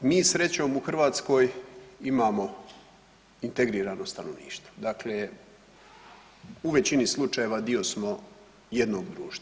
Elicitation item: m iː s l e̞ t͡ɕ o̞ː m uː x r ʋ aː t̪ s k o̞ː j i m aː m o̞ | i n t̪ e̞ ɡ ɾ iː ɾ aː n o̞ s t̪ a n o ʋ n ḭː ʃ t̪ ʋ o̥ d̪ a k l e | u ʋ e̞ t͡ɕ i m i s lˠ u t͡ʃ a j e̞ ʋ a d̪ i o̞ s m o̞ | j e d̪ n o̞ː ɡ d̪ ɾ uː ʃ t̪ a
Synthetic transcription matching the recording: m iː s ɾ e̞ t͡ɕ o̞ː m u x r ʋ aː t̪ s k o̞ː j i m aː m o̞ | i n t̪ e̞ ɡ ɾ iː ɾ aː n o̞ s t̪ a n o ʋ n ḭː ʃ t̪ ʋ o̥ d̪ a k l e | u ʋ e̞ t͡ɕ i n i s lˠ u t͡ʃ a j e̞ ʋ a d̪ i o̞ s m o̞ | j e d̪ n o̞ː ɡ d̪ ɾ uː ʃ t̪ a